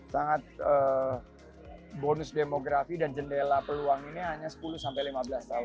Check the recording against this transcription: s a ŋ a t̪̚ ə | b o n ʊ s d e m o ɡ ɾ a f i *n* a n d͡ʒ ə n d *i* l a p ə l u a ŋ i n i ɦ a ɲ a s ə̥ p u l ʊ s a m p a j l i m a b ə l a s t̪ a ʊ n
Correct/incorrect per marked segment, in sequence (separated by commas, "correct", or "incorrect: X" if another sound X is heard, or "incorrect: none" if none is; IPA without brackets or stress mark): incorrect: d, incorrect: e